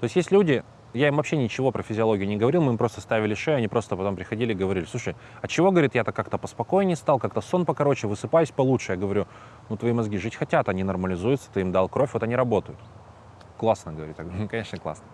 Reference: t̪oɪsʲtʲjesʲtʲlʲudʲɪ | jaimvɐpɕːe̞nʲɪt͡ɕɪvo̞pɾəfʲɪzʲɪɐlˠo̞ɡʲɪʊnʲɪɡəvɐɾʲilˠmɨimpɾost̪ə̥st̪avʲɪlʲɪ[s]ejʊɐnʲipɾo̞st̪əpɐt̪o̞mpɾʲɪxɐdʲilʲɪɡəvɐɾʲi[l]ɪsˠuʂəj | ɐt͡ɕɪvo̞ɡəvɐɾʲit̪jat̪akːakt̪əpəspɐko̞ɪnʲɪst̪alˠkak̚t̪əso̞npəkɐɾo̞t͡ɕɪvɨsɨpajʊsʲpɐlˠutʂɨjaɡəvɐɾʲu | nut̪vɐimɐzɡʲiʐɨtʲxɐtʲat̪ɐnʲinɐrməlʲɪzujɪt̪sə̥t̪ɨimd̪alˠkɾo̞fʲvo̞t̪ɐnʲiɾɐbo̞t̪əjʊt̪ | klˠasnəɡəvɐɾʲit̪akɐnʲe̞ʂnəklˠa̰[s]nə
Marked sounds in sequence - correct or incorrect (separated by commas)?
incorrect, correct, correct